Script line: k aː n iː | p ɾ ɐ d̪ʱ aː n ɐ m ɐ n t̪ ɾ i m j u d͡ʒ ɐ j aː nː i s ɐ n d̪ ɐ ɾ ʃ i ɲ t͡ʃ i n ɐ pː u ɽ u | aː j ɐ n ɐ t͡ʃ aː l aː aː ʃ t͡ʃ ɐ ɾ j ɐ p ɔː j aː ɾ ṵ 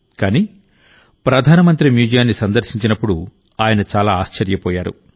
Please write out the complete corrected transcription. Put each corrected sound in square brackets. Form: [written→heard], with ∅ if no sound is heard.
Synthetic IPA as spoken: k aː n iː | p ɾ ɐ d̪ʱ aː n ɐ m ɐ n t̪ ɾ i m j [u→uː] d͡ʒ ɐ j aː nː i s ɐ n d̪ ɐ ɾ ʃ i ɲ t͡ʃ i n ɐ pː u ɽ u | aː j ɐ n ɐ t͡ʃ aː l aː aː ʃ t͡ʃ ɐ ɾ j ɐ p ɔː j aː ɾ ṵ